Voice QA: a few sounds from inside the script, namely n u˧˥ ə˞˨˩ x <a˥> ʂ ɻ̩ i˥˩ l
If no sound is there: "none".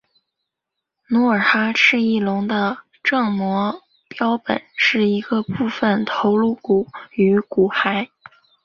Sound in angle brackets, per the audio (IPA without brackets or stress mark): a˥